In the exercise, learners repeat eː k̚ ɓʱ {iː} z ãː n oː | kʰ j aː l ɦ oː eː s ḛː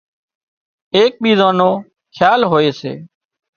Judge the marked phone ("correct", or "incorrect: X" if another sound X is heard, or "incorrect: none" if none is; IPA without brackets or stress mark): correct